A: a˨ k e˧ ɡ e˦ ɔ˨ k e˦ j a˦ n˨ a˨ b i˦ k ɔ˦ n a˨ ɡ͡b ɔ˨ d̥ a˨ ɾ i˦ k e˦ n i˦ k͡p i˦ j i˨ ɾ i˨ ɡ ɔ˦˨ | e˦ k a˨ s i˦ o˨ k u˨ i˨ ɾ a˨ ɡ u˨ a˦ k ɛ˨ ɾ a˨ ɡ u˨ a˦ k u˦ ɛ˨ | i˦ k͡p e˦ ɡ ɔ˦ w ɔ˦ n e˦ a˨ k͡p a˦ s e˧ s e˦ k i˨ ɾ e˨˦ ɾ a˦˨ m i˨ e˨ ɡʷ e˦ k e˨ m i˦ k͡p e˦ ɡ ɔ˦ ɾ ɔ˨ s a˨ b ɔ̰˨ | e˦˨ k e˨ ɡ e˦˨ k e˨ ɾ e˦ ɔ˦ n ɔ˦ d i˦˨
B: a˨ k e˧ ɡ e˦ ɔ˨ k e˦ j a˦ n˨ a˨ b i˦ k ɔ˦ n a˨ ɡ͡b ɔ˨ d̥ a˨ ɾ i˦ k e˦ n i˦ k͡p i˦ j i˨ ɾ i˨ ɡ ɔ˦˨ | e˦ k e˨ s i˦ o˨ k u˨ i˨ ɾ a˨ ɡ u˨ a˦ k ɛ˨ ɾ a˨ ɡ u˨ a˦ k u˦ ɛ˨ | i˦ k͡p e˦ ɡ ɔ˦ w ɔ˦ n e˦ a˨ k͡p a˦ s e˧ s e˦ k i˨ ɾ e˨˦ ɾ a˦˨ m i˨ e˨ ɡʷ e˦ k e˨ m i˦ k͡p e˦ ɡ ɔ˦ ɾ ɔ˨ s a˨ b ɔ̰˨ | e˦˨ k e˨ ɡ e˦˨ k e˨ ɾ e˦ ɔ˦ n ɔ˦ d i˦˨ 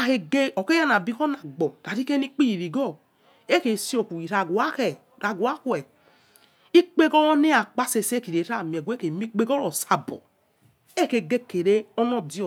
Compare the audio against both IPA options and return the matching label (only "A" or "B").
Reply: B